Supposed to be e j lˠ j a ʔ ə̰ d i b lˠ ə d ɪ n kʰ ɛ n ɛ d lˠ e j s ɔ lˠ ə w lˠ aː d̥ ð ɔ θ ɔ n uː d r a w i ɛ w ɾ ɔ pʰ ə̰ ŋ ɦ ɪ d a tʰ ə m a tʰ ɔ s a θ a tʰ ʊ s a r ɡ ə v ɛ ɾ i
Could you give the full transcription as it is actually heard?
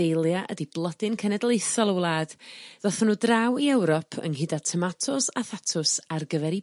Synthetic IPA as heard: e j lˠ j a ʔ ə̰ d i b lˠ ə d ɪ n kʰ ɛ n ɛ d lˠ e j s ɔ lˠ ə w lˠ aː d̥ ð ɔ θ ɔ n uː d r a w i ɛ w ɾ ɔ pʰ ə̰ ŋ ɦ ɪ d a tʰ ə m a tʰ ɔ s a θ a tʰ ʊ s a r ɡ ə v ɛ ɾ i